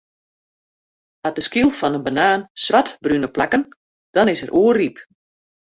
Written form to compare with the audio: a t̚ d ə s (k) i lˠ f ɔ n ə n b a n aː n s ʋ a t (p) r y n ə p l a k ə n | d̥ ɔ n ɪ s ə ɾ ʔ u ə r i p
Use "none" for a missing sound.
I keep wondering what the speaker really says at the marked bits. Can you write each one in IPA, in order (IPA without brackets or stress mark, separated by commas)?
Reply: k, b